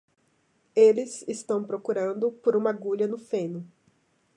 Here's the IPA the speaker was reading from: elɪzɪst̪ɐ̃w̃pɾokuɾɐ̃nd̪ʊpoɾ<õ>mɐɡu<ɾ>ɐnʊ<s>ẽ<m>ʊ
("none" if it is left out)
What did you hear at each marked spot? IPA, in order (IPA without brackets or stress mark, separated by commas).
ũ, ʎ, f, n